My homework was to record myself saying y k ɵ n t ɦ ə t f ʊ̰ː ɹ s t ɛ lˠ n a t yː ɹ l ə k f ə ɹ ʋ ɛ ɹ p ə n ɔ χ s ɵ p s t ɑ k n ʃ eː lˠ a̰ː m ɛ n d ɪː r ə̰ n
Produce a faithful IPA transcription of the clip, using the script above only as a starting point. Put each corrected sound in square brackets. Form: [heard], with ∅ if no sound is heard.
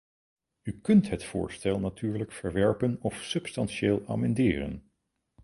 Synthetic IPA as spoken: y k ɵ n t ɦ ə t f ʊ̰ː ɹ s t ɛ lˠ n a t yː ɹ l ə k f ə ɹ ʋ ɛ ɹ p ə n ɔ [f] s ɵ p s t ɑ [∅] n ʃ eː lˠ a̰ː m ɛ n d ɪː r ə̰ n